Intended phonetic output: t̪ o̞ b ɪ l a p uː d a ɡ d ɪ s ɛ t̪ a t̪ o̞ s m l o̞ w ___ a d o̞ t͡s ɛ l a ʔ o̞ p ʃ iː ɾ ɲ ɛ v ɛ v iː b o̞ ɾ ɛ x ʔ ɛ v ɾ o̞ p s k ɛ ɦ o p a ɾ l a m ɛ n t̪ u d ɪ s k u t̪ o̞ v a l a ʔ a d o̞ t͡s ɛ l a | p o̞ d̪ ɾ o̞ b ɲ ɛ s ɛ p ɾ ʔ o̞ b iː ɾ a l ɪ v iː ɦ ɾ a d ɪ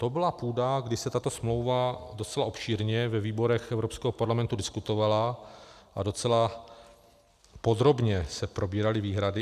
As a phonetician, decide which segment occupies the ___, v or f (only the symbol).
v